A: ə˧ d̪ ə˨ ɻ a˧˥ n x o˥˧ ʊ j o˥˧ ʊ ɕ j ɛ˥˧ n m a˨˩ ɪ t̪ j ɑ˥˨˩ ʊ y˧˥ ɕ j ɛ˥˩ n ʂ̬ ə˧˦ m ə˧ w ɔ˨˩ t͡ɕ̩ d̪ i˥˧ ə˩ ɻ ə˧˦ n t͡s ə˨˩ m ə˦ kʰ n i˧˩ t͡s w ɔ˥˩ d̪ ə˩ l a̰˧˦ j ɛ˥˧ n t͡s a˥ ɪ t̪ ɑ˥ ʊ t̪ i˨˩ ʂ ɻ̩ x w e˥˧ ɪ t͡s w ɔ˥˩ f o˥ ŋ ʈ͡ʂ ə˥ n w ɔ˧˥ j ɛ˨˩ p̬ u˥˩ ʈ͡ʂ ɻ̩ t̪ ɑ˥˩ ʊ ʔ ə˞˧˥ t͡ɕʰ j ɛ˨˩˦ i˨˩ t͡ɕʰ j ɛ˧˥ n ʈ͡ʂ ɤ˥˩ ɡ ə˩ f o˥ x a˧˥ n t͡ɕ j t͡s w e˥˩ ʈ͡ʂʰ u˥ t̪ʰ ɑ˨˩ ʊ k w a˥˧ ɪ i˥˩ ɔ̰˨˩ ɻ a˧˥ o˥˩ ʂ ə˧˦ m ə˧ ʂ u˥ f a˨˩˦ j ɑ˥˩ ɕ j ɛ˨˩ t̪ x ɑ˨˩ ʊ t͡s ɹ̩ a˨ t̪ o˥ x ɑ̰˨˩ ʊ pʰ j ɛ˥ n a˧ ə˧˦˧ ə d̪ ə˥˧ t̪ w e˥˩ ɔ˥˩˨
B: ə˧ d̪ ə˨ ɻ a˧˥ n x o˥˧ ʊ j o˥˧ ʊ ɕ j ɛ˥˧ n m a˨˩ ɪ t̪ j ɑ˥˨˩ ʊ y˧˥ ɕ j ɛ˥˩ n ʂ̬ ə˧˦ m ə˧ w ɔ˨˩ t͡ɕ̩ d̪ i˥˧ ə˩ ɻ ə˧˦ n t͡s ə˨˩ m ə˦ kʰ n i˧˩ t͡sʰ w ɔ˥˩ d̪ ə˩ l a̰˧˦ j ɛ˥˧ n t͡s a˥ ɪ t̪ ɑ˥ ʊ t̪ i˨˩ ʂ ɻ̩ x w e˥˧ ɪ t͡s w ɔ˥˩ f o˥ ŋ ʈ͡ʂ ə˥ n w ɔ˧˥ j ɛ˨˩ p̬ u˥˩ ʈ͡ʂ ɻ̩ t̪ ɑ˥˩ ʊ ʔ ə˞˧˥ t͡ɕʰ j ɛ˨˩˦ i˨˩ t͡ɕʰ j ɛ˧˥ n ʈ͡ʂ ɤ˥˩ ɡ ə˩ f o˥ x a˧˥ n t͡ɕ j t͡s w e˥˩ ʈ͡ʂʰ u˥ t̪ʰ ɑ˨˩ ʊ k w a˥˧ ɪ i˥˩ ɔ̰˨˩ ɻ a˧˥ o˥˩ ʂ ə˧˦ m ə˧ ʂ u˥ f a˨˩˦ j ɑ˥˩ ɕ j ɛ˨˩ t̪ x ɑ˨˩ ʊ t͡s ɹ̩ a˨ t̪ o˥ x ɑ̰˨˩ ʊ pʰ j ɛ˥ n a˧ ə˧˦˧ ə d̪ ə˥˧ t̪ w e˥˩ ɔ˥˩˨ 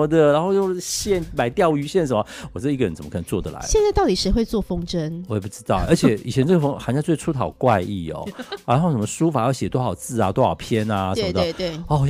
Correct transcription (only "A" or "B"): A